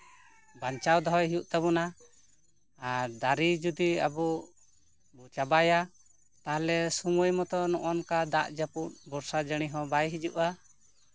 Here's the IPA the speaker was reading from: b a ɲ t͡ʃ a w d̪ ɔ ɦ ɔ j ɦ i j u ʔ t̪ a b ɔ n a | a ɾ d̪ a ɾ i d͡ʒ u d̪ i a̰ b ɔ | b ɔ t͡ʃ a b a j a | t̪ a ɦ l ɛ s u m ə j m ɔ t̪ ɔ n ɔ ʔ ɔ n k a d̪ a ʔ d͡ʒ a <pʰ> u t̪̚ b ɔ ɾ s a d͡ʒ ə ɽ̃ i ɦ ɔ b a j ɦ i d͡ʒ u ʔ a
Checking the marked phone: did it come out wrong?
yes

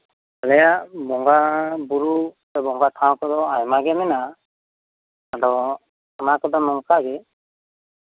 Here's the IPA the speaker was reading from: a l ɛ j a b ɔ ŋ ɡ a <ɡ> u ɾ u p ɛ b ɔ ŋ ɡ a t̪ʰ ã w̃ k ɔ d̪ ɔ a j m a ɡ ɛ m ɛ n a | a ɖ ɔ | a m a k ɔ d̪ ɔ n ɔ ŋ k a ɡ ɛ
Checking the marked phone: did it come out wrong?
yes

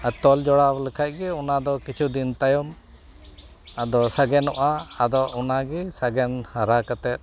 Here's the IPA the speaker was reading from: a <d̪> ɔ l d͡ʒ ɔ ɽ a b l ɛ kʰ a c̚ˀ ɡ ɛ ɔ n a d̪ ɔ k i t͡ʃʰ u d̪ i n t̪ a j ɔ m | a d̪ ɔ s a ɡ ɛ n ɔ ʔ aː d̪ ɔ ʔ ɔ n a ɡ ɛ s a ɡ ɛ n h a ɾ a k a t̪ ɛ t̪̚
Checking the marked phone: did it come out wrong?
yes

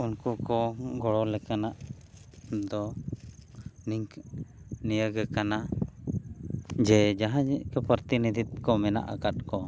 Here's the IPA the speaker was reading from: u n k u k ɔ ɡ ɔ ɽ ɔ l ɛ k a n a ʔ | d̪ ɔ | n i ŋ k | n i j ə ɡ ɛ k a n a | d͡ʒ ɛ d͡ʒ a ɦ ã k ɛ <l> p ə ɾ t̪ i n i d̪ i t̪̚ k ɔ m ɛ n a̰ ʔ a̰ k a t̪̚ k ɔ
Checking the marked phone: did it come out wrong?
yes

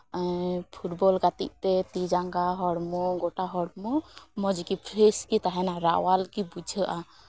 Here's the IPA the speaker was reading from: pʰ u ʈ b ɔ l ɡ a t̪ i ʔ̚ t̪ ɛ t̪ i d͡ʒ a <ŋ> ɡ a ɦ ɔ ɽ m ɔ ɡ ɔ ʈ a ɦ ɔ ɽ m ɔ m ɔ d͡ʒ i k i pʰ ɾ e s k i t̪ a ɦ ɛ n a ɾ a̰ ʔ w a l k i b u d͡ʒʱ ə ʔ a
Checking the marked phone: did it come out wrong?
no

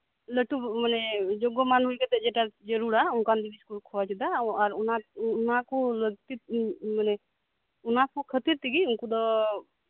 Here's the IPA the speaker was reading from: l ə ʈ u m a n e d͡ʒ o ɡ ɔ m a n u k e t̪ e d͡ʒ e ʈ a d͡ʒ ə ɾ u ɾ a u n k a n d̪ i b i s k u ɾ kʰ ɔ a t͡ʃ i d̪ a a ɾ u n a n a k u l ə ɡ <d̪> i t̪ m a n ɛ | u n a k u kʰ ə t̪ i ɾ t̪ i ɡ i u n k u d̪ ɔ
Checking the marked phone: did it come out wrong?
yes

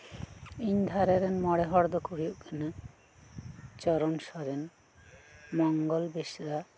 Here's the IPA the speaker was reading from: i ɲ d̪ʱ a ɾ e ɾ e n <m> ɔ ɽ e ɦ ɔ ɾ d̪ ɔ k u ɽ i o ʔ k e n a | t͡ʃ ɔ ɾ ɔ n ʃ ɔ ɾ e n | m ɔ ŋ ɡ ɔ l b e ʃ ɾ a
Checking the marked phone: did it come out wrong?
no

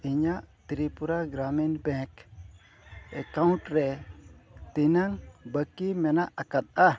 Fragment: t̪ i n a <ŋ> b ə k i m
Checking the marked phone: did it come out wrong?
no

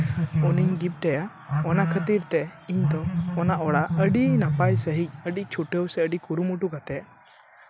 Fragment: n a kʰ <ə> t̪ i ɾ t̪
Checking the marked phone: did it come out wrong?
no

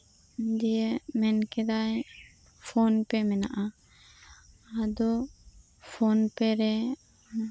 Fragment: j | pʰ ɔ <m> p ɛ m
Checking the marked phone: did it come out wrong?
yes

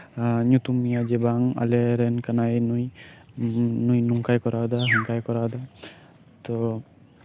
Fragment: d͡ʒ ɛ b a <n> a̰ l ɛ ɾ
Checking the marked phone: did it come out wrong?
yes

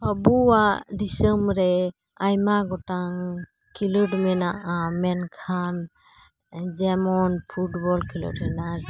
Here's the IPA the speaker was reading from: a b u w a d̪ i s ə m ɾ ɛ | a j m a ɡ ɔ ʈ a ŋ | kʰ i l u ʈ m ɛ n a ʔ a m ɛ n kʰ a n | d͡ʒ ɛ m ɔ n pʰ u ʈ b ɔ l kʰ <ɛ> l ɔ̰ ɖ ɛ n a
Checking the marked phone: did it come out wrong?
yes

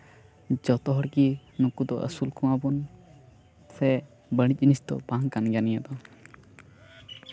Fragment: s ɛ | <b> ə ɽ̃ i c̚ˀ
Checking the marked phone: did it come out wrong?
no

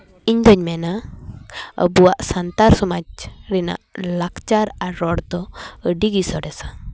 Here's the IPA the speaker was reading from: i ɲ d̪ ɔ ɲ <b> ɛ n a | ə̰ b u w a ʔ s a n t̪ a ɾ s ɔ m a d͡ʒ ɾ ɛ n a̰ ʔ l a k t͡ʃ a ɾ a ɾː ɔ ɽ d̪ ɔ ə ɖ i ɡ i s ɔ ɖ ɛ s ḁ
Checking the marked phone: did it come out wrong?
yes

